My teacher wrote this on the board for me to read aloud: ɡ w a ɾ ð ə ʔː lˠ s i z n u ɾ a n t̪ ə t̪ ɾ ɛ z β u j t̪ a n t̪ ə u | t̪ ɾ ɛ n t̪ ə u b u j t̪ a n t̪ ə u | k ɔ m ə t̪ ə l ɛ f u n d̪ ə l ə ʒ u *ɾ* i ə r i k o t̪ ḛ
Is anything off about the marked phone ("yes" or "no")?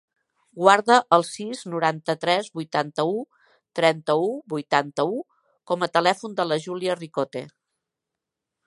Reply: yes